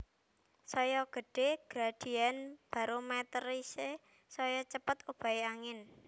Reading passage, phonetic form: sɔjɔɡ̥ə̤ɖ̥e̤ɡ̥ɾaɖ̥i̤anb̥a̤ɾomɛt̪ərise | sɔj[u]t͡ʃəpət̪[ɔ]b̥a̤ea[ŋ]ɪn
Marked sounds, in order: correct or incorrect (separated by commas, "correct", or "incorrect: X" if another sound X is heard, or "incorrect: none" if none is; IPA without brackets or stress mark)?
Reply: incorrect: ɔ, incorrect: u, correct